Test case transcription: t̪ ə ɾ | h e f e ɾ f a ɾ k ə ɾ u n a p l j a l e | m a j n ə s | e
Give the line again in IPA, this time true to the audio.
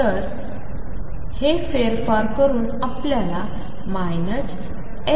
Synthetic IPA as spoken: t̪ ə ɾ | h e f e ɾ f a ɾ k ə ɾ uː n a p l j a l a | m a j n ə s | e